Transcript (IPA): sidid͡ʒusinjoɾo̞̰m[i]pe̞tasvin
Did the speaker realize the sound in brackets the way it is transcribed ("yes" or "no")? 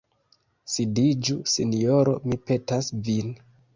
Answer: yes